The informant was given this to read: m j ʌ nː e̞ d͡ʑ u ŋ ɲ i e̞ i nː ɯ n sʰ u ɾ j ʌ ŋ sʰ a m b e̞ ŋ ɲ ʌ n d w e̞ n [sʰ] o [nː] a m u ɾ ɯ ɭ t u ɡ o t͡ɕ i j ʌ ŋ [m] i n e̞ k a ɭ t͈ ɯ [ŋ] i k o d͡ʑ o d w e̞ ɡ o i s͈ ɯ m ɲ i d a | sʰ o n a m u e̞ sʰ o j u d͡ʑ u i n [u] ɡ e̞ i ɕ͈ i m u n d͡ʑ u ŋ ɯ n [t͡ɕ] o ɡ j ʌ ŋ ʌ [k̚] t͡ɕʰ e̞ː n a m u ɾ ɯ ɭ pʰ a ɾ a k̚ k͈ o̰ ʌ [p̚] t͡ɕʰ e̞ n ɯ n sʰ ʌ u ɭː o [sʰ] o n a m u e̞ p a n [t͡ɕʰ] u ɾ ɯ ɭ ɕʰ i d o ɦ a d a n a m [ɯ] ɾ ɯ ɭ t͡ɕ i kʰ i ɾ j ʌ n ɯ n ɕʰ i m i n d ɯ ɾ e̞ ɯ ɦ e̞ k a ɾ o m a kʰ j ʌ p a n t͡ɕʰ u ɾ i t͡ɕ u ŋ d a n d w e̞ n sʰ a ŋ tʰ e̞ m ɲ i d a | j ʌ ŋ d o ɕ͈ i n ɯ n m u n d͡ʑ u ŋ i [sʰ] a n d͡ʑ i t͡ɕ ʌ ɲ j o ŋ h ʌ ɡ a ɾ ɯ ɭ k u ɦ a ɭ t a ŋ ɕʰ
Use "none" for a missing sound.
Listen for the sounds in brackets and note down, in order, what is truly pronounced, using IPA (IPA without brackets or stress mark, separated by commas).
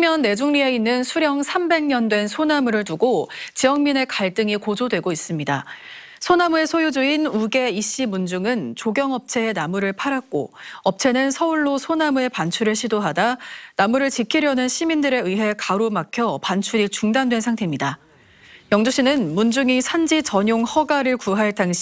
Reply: sʰ, n, m, ŋ, u, t͡ɕ, p̚, p̚, sʰ, t͡ɕʰ, u, sʰ